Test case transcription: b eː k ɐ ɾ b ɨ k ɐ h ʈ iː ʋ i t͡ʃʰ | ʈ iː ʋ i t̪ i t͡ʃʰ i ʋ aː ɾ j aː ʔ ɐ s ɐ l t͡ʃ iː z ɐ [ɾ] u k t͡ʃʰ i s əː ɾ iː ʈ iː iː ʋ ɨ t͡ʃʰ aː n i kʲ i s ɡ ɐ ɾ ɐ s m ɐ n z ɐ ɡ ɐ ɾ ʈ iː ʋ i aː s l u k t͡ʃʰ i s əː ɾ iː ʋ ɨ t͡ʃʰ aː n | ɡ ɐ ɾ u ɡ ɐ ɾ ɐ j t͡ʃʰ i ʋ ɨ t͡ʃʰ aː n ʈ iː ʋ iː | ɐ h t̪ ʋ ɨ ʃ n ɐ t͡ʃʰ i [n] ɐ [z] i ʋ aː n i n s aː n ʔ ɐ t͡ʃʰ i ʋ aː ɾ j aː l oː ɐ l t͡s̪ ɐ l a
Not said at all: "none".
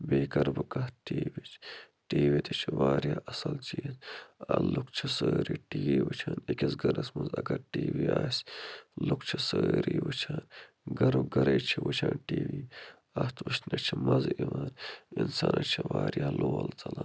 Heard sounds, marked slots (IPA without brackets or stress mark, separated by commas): l, m, z